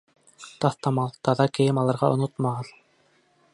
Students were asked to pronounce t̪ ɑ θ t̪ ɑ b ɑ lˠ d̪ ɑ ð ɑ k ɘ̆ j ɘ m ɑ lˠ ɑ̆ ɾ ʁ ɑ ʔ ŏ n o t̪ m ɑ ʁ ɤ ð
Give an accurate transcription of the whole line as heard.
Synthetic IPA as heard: t̪ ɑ θ t̪ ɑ m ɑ lˠ t̪ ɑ ð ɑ k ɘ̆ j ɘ m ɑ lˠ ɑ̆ ɾ ʁ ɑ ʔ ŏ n o t̪ m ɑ ʁ ɤ ð